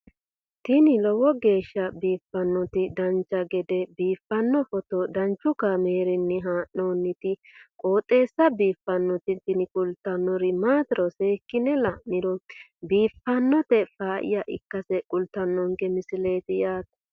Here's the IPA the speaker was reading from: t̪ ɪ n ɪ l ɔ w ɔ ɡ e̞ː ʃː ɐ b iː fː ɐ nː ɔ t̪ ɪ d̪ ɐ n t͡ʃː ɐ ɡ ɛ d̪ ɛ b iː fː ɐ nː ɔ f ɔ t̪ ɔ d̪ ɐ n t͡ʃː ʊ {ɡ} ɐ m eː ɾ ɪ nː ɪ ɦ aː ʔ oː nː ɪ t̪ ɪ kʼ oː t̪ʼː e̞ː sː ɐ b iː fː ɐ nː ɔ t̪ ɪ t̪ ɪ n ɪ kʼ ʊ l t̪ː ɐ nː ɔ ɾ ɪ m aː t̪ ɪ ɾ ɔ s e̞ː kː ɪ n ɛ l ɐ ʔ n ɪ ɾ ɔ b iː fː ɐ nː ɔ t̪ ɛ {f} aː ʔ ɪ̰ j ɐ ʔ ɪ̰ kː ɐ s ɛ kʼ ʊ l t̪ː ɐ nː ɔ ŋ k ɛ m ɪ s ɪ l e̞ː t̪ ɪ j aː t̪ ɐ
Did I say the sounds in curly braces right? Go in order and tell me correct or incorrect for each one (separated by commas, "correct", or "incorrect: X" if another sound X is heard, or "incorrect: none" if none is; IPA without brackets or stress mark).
incorrect: k, correct